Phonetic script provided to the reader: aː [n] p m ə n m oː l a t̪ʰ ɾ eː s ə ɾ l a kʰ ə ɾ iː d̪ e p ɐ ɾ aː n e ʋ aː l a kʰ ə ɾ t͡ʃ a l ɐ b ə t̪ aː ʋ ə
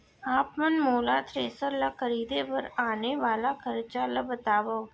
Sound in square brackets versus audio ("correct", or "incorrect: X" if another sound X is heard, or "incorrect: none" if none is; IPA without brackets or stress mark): incorrect: none